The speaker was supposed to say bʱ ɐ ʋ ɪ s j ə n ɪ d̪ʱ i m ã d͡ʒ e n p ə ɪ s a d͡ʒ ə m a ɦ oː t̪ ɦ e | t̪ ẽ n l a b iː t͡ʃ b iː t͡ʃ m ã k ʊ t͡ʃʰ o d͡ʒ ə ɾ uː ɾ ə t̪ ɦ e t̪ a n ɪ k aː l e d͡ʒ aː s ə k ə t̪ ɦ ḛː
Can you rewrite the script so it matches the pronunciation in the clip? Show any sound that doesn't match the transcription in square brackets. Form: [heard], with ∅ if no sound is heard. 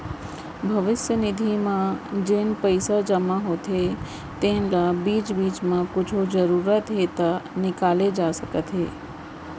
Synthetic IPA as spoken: bʱ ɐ ʋ ɪ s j ə n ɪ d̪ʱ i m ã d͡ʒ e n p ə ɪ s a d͡ʒ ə m a ɦ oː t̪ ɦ e | t̪ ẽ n l a b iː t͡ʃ b iː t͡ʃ m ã k ʊ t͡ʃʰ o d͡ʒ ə ɾ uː ɾ ə t̪ ɦ e t̪ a n ɪ k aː l e d͡ʒ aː s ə k ə t̪ ɦ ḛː